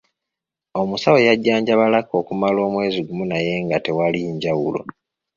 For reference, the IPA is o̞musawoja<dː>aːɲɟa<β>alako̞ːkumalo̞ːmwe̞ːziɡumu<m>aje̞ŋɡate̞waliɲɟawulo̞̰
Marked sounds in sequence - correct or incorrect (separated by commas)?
incorrect, correct, incorrect